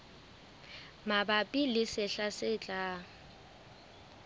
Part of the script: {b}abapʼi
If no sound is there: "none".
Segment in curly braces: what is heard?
m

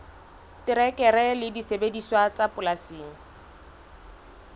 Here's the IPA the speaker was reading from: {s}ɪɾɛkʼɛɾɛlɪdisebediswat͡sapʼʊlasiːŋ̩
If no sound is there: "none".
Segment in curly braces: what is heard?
t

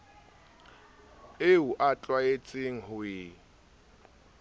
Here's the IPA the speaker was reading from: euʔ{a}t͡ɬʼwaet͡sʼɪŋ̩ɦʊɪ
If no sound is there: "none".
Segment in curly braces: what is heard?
a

